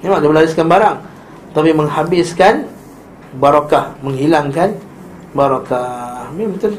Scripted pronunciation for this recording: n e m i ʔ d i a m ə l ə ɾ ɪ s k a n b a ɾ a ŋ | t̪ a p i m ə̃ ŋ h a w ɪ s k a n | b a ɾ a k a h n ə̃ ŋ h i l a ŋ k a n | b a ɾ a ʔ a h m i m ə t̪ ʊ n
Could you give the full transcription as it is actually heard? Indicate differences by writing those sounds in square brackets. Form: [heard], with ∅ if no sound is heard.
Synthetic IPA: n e m [a] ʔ d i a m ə l [a] ɾ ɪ s k a n b a ɾ a ŋ | t̪ a p i m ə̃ ŋ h a [b] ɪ s k a n | b a ɾ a k a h [m] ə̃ ŋ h i l a ŋ k a n | b a ɾ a [k] a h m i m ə t̪ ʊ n